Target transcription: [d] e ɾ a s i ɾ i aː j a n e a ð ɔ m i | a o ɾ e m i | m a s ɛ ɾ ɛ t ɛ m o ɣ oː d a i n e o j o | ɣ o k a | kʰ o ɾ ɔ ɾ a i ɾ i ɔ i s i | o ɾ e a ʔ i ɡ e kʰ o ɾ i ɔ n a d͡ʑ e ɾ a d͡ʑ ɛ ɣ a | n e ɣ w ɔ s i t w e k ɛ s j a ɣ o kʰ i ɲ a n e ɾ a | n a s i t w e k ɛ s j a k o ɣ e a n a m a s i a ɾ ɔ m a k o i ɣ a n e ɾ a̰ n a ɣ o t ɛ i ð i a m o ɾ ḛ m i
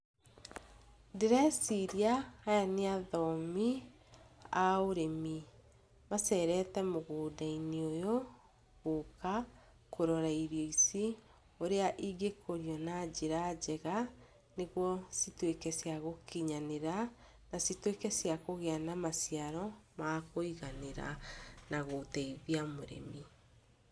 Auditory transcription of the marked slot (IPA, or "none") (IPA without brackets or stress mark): d